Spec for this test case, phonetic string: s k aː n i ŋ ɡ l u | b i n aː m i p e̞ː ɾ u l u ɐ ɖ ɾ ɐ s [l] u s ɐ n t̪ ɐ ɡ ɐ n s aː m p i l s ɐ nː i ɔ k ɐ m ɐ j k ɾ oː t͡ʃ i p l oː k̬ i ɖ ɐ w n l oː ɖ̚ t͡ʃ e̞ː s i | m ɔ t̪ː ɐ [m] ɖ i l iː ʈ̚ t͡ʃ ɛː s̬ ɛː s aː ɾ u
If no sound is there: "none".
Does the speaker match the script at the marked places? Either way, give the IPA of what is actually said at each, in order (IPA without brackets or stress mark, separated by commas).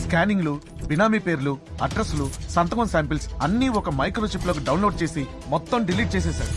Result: l, m